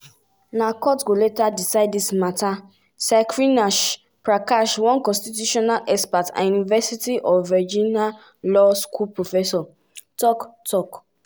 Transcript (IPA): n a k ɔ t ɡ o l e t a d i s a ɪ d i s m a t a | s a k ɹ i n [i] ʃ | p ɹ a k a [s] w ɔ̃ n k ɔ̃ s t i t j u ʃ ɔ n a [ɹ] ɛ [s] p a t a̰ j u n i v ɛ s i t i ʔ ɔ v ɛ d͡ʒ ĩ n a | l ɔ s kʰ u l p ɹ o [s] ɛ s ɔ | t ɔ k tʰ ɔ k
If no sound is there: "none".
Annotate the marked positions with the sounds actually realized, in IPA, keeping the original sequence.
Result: a, ʃ, l, s, f

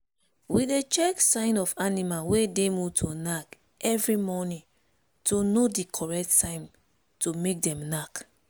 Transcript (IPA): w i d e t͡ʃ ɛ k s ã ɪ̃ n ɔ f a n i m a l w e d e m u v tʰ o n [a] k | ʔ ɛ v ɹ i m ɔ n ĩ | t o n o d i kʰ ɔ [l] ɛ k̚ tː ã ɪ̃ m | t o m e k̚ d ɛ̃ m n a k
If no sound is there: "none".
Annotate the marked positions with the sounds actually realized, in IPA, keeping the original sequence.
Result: a, ɹ

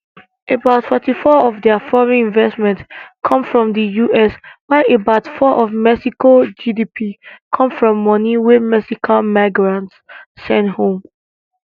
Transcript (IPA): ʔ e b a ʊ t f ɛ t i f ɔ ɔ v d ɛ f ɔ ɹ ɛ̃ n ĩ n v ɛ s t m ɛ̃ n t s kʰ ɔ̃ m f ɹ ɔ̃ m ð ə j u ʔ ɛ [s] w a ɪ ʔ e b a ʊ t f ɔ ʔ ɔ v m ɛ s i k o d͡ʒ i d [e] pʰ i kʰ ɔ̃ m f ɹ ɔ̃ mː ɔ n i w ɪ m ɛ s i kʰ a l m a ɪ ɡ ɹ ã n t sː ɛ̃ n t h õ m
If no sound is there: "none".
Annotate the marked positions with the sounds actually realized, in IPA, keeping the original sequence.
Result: s, i

